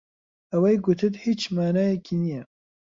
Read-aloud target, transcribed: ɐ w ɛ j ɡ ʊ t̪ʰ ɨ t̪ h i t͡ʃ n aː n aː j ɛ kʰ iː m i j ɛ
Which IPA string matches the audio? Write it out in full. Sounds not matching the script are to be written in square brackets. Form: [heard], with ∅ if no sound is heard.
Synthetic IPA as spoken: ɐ w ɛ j ɡ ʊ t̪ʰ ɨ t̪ h i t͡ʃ [m] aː n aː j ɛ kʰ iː [n] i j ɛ